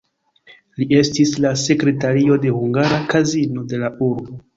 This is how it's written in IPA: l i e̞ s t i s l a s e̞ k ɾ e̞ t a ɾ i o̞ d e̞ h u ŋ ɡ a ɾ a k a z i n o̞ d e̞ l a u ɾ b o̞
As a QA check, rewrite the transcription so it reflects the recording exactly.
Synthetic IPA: l i e̞ s t i s l a s e̞ k ɾ e̞ t a ɾ i o̞ d e̞ h u ŋ ɡ a ɾ a k a z i n o̞ d e̞ l a u ɾ b o̞